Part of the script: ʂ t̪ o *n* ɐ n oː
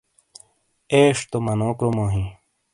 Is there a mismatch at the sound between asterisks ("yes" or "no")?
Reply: yes